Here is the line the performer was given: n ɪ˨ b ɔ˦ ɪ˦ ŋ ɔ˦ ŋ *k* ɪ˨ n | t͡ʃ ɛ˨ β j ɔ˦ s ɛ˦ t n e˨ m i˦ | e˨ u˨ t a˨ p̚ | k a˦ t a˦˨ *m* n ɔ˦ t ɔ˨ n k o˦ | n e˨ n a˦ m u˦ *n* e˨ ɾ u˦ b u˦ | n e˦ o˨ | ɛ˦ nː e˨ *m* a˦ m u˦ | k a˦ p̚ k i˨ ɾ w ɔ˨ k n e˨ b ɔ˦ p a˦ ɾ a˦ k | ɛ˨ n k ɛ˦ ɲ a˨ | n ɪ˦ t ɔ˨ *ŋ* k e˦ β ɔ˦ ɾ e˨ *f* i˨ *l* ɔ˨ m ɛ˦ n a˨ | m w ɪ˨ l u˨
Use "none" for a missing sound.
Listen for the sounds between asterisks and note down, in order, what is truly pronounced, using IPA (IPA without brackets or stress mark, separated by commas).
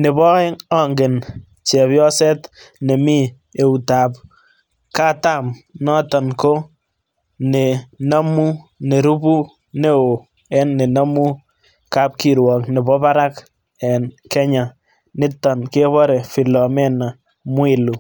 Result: ɡ, m, n, n, n, f, l